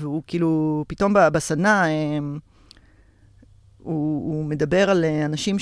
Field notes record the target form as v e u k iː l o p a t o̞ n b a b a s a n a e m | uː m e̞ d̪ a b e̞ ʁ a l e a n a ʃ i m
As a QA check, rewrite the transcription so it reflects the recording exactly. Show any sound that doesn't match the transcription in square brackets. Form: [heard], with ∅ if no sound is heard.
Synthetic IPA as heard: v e u k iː l [u] p [i] t o̞ [m] b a b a s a n a e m | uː m e̞ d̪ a b e̞ ʁ a l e a n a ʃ i m